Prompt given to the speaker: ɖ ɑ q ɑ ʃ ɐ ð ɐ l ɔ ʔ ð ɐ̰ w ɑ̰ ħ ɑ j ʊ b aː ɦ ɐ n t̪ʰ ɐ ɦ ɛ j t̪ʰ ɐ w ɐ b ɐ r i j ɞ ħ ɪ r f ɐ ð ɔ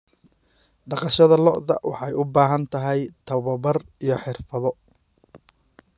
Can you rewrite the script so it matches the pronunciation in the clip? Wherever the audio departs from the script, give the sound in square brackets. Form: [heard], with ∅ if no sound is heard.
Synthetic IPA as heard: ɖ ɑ q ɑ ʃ ɐ ð ɐ l ɔ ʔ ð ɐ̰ w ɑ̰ ħ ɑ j ʊ b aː ɦ ɐ n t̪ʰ ɐ ɦ ɛ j t̪ʰ ɐ [β] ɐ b ɐ r i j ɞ ħ ɪ r f ɐ ð ɔ

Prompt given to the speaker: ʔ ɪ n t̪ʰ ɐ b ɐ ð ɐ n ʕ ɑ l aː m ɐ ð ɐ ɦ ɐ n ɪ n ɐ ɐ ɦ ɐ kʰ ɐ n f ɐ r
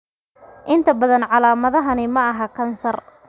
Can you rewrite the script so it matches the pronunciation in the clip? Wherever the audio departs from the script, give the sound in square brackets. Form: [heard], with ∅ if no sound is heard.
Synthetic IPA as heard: ʔ ɪ n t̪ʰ ɐ b ɐ ð ɐ n ʕ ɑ l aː m ɐ ð ɐ ɦ ɐ n ɪ [m] ɐ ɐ ɦ ɐ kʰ ɐ n [s] ɐ r

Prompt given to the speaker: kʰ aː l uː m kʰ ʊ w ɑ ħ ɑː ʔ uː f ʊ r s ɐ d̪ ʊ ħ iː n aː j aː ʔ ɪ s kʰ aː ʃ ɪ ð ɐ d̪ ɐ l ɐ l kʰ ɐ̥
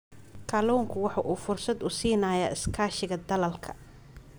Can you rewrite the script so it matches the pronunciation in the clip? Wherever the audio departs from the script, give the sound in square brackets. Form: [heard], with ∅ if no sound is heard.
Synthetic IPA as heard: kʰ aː l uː [ŋ] kʰ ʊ w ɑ ħ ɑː ʔ uː f ʊ r s ɐ d̪ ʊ [s] iː n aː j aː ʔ ɪ s kʰ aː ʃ ɪ [ɣ] ɐ d̪ ɐ l ɐ l kʰ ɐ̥

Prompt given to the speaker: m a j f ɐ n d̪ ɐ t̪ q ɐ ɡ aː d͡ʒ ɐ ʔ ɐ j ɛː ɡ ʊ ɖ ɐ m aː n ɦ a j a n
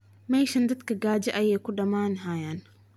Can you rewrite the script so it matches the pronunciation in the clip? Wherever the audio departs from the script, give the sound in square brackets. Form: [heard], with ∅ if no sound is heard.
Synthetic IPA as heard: m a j [ʃ] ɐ n d̪ ɐ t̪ [k] ɐ ɡ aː d͡ʒ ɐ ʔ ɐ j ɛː [k] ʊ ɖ ɐ m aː n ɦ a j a n

